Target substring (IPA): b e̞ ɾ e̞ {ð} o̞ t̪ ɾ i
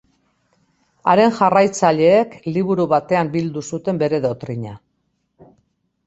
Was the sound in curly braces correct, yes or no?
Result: yes